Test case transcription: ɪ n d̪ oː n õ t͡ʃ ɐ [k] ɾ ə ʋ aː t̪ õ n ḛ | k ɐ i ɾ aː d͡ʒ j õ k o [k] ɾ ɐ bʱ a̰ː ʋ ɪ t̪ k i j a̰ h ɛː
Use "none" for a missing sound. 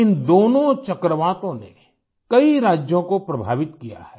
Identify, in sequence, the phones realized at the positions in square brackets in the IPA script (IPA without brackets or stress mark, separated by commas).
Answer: k, p